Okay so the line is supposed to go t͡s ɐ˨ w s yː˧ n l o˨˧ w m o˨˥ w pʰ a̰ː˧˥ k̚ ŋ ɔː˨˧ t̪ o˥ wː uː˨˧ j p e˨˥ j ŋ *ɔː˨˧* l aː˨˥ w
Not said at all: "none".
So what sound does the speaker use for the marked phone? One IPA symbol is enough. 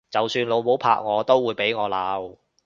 ɔː˨˧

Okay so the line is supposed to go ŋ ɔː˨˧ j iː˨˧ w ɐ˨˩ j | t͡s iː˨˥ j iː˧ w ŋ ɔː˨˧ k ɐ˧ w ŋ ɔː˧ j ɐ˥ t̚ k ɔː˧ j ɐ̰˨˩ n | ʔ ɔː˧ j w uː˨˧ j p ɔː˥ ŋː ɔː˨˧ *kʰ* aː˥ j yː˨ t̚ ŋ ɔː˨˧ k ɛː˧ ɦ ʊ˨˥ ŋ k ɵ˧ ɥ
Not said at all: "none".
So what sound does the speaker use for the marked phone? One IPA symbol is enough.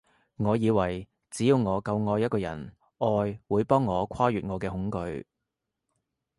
kʰ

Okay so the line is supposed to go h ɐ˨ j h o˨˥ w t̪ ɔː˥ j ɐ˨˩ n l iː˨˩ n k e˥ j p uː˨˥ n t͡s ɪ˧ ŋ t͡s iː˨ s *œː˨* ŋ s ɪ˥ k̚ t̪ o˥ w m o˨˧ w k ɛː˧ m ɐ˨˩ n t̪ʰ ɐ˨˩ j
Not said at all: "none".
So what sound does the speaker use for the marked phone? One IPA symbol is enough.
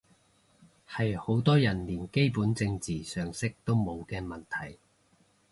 œː˨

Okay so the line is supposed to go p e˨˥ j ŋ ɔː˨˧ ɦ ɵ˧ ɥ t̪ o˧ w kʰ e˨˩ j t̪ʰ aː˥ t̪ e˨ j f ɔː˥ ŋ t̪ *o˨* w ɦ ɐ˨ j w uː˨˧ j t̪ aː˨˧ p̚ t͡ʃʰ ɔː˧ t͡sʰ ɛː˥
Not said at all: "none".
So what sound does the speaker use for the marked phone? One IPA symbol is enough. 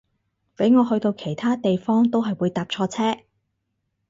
o˥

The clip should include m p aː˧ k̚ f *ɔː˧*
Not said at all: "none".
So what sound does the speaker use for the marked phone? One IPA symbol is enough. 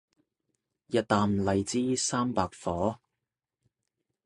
ɔː˨˥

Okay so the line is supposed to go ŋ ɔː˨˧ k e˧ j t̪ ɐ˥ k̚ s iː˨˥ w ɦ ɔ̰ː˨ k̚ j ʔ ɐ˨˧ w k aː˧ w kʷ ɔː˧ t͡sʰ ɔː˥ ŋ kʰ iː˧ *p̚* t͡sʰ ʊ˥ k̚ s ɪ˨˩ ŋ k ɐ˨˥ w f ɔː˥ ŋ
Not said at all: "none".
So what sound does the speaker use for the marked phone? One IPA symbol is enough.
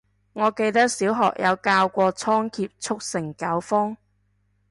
p̚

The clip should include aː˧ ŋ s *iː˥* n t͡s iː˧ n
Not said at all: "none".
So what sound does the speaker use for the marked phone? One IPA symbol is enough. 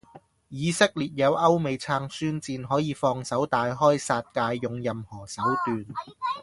yː˥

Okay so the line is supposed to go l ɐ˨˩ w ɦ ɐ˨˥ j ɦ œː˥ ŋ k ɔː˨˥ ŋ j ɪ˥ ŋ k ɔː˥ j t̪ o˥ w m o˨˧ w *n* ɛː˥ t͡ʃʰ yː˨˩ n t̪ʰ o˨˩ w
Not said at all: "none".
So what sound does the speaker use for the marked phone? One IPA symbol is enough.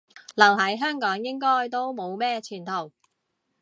m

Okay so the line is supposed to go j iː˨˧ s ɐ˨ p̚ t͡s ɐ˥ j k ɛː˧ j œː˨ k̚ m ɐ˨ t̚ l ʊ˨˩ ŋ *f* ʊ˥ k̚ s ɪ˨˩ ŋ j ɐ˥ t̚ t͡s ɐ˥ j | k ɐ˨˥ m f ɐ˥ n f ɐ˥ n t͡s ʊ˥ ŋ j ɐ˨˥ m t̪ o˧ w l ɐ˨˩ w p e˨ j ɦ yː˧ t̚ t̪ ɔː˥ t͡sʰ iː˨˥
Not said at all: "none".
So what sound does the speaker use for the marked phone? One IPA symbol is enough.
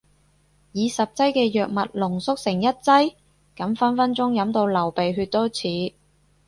s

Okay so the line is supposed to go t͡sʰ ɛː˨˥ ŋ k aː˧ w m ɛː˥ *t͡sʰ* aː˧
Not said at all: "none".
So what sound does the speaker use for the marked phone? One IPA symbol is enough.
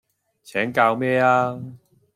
none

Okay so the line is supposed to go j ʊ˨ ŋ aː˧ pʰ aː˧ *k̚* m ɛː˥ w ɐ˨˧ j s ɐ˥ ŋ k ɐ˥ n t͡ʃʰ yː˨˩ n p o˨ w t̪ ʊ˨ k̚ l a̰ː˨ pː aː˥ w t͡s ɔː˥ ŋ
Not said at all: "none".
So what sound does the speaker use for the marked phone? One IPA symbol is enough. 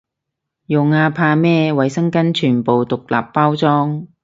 none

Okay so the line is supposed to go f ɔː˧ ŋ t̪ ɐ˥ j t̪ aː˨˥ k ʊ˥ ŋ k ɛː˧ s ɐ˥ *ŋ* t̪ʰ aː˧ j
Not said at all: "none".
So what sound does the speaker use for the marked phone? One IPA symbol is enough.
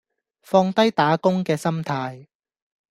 m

